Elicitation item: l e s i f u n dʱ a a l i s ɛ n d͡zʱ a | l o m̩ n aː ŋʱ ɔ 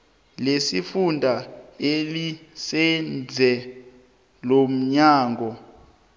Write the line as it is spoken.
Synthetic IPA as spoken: l e s i f u n dʱ a e l i s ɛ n d͡zʱ ɛ | l o m̩ ɲ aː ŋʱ ɔ